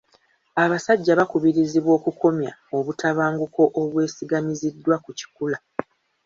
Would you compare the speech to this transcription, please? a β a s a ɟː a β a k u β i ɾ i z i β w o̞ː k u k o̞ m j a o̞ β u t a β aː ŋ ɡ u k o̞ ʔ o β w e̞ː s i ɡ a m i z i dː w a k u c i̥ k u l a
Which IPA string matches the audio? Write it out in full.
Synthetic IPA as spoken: a β a s a ɟː a β a k u β i ɾ i z i β w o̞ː k u k o̞ m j a o̞ β u t a β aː ŋ ɡ u k o̞ ʔ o β w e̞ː s i ɡ a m i z i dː w a k u c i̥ k u l a

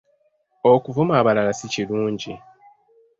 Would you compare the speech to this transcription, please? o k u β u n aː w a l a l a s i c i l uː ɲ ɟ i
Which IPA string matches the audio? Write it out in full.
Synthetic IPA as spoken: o k u v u m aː β a l a l a s i c i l uː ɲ ɟ i

